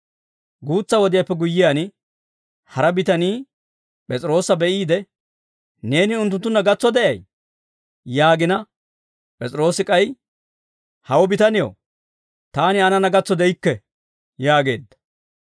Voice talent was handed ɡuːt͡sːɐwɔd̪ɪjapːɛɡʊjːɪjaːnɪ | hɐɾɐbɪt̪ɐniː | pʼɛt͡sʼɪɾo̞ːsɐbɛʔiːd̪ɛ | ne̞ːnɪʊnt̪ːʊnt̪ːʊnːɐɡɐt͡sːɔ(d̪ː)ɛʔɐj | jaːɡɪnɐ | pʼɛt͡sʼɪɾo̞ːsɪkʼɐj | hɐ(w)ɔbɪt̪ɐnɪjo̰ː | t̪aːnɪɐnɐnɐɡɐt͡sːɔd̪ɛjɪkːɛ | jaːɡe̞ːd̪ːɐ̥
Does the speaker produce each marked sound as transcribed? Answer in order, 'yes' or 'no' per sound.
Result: no, yes

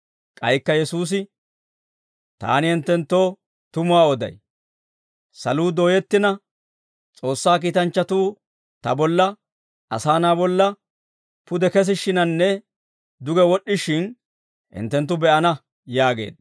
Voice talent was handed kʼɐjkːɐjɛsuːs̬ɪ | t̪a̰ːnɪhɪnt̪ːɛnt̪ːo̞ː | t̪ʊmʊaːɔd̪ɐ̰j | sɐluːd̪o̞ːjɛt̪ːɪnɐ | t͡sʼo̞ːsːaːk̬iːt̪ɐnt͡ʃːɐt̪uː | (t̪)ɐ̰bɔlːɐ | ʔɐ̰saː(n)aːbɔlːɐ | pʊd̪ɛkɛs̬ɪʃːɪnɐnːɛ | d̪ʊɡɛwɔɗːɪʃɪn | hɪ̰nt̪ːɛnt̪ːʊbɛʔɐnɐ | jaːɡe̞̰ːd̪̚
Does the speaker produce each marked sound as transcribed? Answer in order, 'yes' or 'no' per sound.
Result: yes, yes

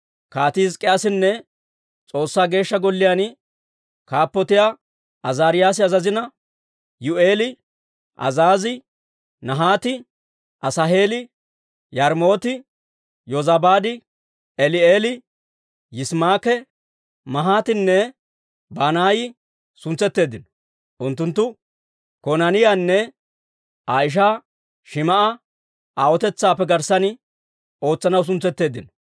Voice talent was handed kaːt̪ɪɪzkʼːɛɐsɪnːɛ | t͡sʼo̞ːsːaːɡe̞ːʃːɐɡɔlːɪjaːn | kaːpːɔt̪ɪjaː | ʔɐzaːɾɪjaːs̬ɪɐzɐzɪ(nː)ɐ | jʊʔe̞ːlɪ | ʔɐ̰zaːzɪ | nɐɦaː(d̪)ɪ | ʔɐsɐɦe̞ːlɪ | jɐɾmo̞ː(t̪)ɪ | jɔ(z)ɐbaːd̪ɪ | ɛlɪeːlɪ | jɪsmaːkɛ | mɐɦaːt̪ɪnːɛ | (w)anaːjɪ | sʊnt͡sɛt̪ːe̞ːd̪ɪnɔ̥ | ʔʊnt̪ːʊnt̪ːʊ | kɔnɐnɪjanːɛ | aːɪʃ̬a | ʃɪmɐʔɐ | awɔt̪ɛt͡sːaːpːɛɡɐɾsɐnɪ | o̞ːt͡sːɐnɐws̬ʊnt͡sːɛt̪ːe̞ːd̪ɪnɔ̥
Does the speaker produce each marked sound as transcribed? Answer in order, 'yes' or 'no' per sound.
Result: no, no, yes, yes, no

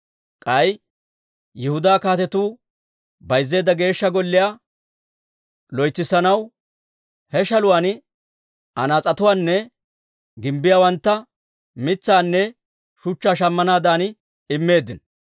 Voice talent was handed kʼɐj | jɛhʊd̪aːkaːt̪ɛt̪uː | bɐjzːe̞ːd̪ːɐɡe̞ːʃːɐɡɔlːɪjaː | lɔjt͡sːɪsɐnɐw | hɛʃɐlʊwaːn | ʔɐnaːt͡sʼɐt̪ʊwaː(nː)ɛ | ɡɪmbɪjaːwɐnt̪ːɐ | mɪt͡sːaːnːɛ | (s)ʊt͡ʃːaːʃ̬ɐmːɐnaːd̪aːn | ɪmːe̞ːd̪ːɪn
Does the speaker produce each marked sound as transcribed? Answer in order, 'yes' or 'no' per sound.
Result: yes, no

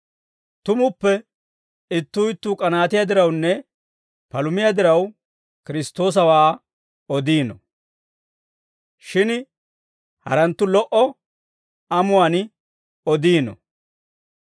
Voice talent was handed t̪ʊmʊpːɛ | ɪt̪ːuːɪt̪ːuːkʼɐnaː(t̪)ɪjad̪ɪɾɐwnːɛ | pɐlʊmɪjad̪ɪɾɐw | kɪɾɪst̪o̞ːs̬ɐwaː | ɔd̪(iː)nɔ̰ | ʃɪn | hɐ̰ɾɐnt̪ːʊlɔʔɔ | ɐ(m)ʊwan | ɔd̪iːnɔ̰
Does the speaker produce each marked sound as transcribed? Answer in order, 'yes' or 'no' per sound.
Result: yes, yes, yes

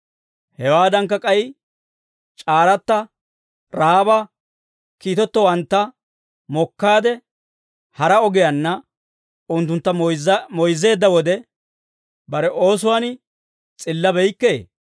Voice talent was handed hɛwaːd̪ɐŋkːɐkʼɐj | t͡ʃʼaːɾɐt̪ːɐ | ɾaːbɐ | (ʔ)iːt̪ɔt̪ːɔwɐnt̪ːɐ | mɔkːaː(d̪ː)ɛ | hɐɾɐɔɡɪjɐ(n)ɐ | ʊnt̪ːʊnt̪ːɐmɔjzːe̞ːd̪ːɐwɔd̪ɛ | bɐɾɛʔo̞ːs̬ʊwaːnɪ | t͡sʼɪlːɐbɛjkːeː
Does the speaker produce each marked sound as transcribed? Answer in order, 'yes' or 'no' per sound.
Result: no, no, no

